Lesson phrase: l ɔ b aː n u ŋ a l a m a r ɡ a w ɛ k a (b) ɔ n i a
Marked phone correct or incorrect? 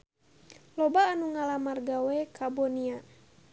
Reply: correct